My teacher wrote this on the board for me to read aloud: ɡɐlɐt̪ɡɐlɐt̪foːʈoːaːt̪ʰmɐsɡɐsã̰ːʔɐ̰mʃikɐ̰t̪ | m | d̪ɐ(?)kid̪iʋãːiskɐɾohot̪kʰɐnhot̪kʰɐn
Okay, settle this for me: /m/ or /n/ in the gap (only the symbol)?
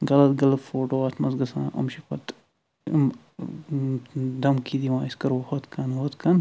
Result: m